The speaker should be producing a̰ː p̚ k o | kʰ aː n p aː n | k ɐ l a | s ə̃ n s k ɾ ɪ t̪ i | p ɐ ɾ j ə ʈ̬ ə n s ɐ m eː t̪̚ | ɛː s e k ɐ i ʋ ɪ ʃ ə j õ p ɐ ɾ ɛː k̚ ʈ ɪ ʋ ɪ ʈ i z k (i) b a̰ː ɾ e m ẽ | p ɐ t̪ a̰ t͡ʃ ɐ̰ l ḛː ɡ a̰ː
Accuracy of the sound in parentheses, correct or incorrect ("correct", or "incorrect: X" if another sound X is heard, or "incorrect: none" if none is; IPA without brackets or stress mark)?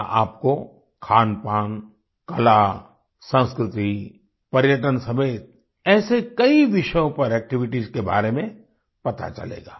incorrect: e